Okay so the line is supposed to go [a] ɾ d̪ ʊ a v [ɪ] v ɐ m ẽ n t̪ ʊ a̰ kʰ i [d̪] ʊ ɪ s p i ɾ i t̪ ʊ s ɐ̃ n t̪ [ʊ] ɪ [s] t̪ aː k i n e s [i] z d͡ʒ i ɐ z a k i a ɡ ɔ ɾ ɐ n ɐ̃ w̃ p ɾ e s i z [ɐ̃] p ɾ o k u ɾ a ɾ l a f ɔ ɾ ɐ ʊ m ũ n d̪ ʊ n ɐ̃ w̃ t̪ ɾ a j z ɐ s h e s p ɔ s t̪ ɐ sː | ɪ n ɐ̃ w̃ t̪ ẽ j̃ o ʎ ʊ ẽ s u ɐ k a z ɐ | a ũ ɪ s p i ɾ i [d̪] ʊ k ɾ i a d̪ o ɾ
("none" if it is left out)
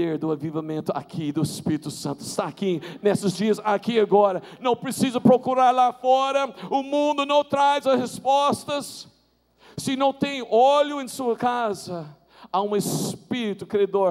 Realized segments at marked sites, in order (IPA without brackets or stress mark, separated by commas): e, i, d̪, ʊ, s, ɪ, ɐ, t̪